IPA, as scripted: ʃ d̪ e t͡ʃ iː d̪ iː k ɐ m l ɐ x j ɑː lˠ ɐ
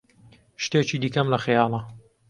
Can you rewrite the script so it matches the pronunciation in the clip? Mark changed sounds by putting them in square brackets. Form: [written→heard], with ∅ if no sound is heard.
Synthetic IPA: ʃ [d̪→t̪] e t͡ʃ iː d̪ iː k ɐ m l ɐ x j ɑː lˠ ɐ